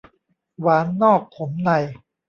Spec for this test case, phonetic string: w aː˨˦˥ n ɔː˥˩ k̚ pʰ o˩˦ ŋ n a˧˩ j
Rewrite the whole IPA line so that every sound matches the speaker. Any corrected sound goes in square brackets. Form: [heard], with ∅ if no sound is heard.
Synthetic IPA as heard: w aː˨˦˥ [nː] ɔː˥˩ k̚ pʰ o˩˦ [m] n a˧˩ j